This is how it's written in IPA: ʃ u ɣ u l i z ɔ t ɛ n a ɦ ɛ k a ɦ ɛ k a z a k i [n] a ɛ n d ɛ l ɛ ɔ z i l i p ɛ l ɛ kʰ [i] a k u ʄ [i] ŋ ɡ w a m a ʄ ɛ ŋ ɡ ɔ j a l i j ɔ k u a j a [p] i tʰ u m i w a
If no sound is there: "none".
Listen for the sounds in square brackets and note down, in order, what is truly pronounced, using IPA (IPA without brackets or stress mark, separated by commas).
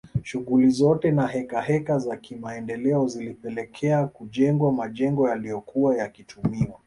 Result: m, ɛ, ɛ, k